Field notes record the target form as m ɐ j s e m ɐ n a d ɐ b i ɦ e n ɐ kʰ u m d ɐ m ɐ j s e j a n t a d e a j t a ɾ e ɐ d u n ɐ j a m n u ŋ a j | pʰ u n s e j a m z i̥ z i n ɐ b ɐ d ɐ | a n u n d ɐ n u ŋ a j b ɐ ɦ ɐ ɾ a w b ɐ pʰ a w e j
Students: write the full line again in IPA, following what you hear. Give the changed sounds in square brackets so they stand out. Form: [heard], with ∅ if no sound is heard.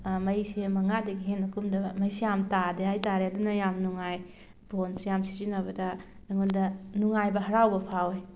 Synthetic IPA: m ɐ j s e m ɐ [ŋ] a d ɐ [ɡ] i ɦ e n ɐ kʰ u m d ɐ m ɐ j s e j a [m] t a d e a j t a ɾ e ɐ d u n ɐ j a m n u ŋ a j | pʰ [o] n s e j a m [s] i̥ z i n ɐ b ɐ d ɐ | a [ŋ] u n d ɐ n u ŋ a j b ɐ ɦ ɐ ɾ a w b ɐ pʰ a w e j